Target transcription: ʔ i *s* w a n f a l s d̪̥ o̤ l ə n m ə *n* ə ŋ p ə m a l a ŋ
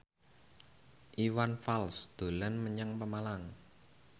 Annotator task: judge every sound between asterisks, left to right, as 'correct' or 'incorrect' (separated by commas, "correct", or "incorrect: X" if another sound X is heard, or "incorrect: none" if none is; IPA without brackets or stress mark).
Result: incorrect: none, incorrect: ɲ